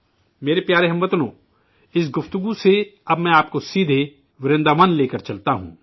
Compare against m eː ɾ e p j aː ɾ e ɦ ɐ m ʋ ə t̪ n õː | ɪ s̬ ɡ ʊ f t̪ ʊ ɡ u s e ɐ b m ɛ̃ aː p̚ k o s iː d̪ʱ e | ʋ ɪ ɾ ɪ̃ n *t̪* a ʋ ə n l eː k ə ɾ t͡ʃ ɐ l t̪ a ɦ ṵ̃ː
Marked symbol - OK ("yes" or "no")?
no